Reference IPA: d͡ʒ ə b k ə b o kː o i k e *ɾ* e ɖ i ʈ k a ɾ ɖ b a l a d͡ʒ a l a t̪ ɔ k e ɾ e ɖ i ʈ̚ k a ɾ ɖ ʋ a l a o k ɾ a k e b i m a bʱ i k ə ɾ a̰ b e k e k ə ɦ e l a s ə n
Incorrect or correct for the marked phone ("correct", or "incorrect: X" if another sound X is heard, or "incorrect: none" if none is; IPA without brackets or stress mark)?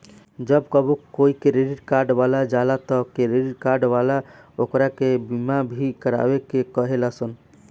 correct